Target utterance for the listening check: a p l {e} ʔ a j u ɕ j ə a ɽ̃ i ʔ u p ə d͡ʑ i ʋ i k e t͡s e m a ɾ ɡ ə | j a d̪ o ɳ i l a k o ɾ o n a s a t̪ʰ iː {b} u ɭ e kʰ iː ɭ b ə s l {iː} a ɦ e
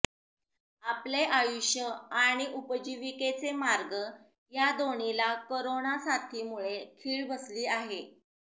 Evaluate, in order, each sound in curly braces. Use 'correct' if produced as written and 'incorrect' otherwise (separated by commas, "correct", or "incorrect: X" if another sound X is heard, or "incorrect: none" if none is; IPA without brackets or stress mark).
correct, incorrect: m, correct